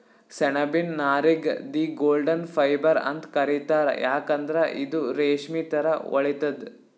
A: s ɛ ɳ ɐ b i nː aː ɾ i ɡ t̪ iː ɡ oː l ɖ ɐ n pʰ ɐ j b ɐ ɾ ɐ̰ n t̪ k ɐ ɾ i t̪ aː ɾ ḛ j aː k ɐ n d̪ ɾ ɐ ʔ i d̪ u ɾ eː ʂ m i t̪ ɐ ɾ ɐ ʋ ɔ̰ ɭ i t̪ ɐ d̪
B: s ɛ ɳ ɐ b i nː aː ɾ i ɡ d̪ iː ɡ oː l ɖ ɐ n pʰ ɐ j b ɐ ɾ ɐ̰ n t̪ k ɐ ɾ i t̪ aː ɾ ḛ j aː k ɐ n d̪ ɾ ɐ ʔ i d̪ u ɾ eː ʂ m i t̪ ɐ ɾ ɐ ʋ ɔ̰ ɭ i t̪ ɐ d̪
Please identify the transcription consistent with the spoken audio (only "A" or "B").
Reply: B